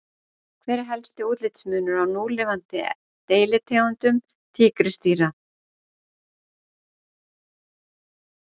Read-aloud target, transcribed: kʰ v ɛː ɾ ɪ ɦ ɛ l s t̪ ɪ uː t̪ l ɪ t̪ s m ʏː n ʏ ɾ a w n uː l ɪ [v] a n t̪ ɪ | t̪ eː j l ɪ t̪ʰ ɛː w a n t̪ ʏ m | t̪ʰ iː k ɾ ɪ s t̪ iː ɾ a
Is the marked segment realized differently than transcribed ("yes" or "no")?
no